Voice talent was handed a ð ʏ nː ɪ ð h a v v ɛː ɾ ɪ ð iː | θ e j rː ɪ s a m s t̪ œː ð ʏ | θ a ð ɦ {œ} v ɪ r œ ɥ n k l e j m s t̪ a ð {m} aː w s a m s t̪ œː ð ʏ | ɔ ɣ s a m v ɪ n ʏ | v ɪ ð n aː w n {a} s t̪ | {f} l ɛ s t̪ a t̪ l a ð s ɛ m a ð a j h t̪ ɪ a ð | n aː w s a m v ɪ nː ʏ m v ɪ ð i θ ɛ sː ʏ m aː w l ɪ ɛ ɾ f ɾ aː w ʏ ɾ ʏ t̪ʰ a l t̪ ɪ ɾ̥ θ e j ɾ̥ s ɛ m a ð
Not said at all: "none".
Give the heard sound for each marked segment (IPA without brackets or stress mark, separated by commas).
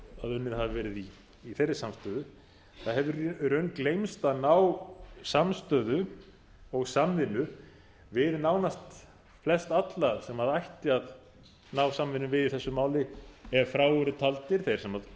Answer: ɛ, n, a, f